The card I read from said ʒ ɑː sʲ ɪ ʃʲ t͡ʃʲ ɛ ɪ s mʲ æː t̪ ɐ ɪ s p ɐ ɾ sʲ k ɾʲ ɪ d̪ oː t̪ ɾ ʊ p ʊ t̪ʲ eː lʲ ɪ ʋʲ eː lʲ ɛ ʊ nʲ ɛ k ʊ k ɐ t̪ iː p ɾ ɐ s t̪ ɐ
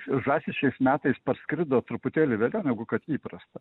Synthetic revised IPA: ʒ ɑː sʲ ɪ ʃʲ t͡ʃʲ ɛ ɪ s mʲ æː t̪ ɐ ɪ s p ɐ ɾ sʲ k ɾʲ ɪ d̪ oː t̪ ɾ ʊ p ʊ t̪ʲ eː lʲ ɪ ʋʲ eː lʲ ɛ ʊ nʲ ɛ ɡ ʊ k ɐ t̪ iː p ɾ ɐ s t̪ ɐ